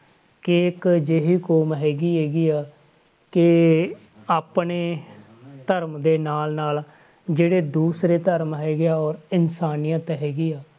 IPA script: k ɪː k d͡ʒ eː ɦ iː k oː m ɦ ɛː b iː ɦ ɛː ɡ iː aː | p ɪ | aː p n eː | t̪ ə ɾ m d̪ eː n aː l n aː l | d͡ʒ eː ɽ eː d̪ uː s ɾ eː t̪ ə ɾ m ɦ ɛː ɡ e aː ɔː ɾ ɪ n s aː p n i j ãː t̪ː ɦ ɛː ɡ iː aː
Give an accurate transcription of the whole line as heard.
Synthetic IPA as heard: k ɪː k d͡ʒ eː ɦ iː k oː m ɦ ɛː ɡ iː ɦ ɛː ɡ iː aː | k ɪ | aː p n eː | t̪ ə ɾ m d̪ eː n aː l n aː l | d͡ʒ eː ɽ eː d̪ uː s ɾ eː t̪ ə ɾ m ɦ ɛː ɡ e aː ɔː ɾ ɪ n s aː n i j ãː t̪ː ɦ ɛː ɡ iː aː

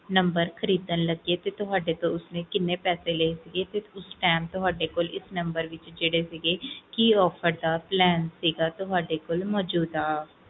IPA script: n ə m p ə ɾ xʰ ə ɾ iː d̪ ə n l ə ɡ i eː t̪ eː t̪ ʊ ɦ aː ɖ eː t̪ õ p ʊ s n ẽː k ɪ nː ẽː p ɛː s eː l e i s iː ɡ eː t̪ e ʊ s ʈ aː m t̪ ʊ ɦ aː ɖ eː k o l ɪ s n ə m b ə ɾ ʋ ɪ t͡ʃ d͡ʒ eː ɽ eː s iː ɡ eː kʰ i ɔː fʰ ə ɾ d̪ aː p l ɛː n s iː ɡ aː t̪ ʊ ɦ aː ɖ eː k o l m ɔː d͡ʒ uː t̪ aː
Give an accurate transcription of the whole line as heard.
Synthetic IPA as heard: n ə m b ə ɾ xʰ ə ɾ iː d̪ ə n l ə ɡ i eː t̪ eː t̪ ʊ ɦ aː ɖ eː t̪ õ ʊ s n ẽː k ɪ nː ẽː p ɛː s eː l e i s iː ɡ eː t̪ e ʊ s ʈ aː m t̪ ʊ ɦ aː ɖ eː k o l ɪ s n ə m b ə ɾ ʋ ɪ t͡ʃ d͡ʒ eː ɽ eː s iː ɡ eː k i ɔː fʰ ə ɾ d̪ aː p l ɛː n s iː ɡ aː t̪ ʊ ɦ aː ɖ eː k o l m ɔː d͡ʒ uː d̪ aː

